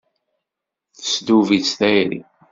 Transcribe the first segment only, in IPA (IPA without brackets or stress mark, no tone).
θ